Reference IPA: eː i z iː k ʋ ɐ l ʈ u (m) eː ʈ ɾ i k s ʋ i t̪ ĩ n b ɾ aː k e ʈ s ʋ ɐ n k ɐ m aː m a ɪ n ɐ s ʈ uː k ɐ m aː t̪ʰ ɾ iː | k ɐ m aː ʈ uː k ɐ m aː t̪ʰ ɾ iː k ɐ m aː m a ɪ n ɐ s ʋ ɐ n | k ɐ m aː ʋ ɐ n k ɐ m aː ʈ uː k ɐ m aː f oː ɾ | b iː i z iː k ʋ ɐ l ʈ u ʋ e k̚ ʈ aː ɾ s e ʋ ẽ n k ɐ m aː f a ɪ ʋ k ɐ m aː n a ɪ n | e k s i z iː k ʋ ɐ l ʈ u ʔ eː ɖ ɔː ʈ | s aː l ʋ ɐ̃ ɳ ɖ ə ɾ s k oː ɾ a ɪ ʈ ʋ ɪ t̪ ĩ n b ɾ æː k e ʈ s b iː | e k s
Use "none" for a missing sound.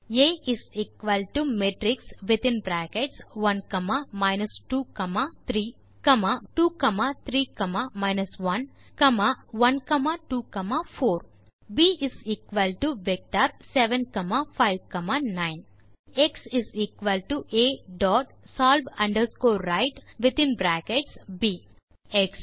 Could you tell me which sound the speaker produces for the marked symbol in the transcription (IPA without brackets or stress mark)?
m